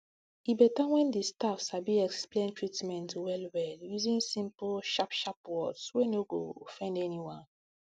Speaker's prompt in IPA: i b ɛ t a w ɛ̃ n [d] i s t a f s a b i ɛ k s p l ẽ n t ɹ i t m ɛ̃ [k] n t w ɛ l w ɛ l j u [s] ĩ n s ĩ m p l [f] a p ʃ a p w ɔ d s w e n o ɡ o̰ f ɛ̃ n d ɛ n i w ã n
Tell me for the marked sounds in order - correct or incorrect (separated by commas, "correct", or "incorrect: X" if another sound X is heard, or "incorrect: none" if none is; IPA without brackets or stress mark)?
correct, incorrect: none, incorrect: z, incorrect: ʃ